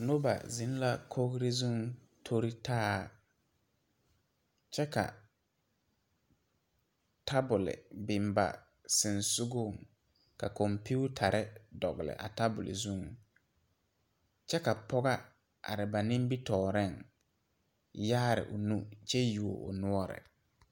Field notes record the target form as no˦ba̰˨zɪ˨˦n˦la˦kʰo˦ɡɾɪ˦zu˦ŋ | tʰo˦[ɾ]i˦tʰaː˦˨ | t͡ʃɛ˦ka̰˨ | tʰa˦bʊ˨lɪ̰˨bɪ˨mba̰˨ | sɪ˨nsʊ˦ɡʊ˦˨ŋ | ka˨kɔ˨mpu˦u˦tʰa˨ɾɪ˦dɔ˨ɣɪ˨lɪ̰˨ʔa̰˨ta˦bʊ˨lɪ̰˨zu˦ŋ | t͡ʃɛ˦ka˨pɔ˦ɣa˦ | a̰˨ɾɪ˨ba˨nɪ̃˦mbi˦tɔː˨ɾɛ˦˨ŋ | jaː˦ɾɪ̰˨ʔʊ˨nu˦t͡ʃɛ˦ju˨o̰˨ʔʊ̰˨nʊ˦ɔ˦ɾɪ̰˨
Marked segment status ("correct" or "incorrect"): correct